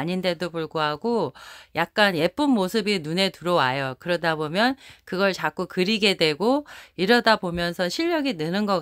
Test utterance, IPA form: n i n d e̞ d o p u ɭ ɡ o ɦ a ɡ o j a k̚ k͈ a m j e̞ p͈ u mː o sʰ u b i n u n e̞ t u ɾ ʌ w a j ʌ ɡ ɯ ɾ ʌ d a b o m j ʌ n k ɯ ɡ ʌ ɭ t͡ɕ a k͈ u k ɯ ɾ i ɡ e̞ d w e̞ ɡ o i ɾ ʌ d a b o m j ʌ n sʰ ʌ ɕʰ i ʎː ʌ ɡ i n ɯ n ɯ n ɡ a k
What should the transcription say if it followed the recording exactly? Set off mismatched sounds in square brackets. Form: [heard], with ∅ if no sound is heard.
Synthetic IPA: [ɲ] i n d e̞ d o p u ɭ ɡ o ɦ a ɡ o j a k̚ k͈ a [n] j e̞ p͈ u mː o sʰ [ɯ] b i n u n e̞ t u ɾ ʌ w a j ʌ [k] ɯ ɾ ʌ d a b o m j ʌ n k ɯ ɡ ʌ ɭ t͡ɕ a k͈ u k ɯ ɾ i ɡ e̞ d w e̞ ɡ o i ɾ ʌ d a b o m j ʌ n sʰ ʌ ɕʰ i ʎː ʌ ɡ i n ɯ n ɯ n ɡ [ʌ] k